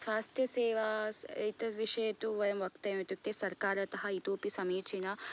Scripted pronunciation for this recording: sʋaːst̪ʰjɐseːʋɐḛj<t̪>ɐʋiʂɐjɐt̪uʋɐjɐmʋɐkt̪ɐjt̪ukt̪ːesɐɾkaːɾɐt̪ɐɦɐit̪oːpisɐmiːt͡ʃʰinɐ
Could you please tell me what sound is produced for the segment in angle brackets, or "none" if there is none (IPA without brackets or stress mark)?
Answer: t̪